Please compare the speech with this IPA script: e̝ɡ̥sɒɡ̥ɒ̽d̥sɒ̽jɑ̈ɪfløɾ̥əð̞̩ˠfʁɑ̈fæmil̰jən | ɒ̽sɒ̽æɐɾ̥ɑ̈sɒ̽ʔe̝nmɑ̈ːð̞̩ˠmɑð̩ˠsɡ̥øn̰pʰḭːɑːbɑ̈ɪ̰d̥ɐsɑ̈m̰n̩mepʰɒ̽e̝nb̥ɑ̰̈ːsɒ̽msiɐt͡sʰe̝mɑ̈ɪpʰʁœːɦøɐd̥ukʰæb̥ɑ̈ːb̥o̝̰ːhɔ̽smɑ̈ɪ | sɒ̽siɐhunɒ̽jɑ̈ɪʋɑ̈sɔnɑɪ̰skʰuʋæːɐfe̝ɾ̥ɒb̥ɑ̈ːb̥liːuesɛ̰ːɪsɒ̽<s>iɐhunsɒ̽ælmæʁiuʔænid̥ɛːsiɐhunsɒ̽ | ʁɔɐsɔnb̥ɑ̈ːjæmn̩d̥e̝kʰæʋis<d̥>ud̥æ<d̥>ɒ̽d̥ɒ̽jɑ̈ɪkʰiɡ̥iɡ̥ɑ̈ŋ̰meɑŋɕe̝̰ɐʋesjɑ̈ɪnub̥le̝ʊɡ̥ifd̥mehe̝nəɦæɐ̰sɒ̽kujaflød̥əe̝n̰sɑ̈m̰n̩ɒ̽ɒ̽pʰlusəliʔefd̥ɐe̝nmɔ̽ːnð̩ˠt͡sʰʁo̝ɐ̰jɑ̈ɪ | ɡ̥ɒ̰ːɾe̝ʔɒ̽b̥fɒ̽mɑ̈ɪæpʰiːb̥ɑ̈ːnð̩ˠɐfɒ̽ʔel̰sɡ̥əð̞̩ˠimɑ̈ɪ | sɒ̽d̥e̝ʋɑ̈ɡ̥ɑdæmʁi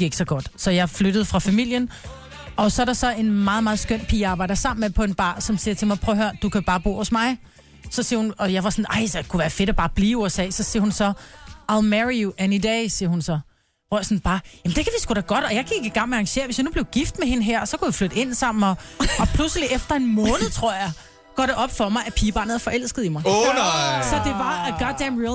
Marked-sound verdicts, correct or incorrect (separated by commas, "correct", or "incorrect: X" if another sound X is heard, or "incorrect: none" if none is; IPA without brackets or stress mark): correct, incorrect: ɡ̥, incorrect: ɡ̥